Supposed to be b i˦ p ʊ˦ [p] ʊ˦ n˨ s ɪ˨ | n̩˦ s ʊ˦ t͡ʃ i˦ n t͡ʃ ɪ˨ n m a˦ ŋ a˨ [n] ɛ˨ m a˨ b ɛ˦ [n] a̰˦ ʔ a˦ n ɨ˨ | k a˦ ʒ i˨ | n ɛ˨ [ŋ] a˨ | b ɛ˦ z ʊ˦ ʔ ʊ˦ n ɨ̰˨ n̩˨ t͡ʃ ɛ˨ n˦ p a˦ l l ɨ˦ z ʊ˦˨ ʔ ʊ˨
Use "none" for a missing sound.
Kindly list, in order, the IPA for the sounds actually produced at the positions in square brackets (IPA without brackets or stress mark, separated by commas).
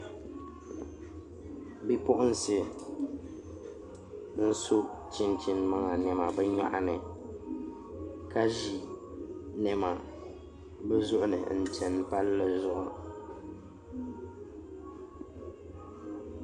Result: ʔ, n, ɲ, m